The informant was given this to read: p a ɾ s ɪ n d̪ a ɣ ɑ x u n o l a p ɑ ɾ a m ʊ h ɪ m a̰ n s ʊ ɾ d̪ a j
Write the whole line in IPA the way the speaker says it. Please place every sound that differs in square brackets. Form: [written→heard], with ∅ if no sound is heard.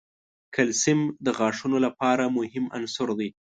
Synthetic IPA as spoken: [p→k] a [ɾ→l] s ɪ [n→m] d̪ [a→ə] ɣ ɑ [x→ʂ] u n o l a p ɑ ɾ a m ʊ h ɪ m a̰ n s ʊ ɾ d̪ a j